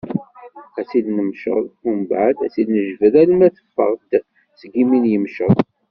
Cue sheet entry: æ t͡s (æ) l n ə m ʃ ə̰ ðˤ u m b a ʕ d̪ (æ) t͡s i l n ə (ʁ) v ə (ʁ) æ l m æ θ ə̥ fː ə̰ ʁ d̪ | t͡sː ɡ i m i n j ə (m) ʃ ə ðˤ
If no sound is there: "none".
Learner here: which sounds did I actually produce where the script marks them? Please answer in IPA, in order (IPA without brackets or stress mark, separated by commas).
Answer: i, æ, ʒ, ð, m